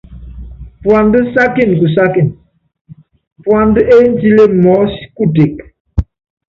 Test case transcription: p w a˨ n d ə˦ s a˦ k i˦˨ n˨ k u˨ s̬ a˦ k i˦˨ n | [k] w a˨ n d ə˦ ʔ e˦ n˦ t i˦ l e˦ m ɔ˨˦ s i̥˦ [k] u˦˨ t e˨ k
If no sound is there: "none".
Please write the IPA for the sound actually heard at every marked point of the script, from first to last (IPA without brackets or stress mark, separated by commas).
p, k